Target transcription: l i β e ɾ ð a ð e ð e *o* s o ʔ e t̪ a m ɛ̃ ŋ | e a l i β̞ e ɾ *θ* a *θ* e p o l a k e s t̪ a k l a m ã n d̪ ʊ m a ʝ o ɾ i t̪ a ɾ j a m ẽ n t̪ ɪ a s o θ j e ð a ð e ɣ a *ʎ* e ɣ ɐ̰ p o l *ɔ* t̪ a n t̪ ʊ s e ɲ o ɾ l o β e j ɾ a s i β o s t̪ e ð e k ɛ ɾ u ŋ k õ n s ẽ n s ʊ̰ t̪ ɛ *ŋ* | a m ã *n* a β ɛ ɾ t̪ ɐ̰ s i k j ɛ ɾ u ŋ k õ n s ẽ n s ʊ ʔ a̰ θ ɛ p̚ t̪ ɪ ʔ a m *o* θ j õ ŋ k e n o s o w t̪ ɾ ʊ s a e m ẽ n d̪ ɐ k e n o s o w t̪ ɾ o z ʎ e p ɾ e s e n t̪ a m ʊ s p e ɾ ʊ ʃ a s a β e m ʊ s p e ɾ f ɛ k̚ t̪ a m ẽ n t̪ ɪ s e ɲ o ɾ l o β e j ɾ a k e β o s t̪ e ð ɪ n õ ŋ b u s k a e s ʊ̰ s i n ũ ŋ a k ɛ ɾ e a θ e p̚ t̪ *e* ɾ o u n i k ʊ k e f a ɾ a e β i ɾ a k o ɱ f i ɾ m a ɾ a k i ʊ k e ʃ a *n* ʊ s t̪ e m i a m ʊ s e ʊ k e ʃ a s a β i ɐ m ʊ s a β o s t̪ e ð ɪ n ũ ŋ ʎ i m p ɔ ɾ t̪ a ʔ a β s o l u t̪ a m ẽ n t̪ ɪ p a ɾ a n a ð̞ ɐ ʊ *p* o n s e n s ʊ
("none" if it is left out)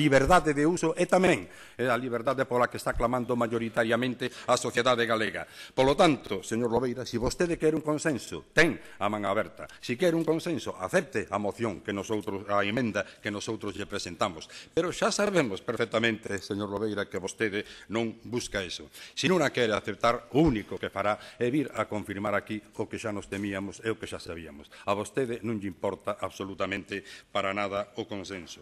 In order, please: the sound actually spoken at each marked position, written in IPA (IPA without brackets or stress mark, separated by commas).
u, ð, ð, l, o, ŋ, ŋ, o, a, n, k